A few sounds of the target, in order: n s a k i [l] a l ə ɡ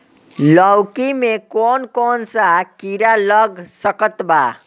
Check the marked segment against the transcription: incorrect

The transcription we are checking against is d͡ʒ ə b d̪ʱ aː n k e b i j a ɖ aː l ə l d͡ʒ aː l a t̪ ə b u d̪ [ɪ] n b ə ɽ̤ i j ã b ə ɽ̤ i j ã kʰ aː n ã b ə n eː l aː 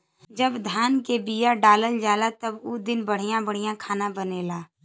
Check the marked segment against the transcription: correct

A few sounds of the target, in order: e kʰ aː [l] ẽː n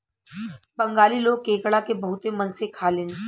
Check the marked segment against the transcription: correct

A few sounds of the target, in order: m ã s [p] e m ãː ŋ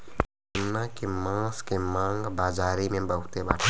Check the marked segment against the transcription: incorrect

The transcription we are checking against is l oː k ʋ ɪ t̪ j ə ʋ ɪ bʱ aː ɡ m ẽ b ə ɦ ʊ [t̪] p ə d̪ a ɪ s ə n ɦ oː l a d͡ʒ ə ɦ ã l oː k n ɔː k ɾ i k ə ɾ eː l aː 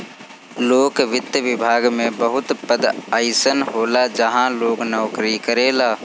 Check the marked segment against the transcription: correct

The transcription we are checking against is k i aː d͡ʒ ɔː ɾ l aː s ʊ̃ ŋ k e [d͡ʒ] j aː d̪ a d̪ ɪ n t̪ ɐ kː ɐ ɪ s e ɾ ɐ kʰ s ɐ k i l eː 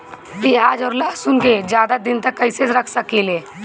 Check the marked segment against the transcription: correct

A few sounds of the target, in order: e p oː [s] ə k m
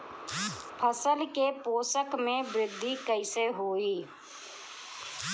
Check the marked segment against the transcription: correct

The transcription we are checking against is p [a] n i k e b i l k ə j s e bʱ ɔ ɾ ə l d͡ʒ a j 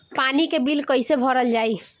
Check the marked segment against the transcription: correct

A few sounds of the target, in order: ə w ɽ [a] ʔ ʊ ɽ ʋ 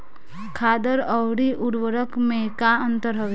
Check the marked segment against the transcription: incorrect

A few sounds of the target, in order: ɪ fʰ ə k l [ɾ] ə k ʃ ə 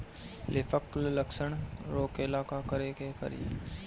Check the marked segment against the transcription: incorrect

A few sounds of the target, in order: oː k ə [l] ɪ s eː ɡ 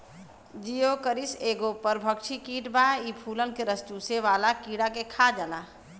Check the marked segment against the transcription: incorrect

